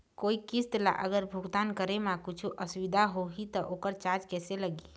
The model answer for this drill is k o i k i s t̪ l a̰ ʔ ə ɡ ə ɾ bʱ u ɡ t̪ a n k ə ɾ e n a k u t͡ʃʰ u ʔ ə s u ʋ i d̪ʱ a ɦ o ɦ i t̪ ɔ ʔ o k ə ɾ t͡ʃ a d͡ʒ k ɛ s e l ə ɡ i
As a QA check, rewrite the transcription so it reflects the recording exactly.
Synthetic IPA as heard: k o i k i s t̪ l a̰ ʔ ə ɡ ə ɾ bʱ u ɡ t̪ a n k ə ɾ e m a k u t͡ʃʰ u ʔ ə s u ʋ i d̪ʱ a ɦ o ɦ i t̪ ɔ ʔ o k ə ɾ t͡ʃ a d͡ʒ k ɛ s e l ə ɡ i